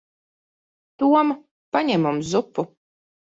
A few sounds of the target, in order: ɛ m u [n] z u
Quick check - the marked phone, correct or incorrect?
incorrect